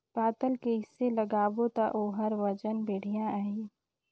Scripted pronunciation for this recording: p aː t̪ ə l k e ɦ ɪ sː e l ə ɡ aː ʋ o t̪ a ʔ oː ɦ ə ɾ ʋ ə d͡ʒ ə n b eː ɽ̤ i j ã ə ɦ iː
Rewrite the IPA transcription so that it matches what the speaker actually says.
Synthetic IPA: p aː t̪ ə l k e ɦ ɪ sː e l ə ɡ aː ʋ o t̪ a ʔ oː ɦ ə ɾ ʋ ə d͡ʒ ə n b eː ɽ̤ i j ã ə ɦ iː